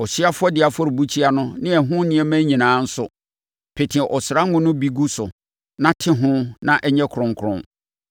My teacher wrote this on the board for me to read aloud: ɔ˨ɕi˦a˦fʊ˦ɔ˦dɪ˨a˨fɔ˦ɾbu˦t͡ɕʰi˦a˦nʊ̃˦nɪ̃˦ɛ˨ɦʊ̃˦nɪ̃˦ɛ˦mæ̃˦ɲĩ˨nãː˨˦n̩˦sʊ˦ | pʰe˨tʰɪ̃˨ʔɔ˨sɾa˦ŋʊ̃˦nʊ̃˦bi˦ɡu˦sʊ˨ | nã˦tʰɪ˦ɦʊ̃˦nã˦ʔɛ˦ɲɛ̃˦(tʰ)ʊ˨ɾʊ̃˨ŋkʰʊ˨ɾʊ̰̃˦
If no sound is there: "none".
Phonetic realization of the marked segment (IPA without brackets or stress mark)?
kʰ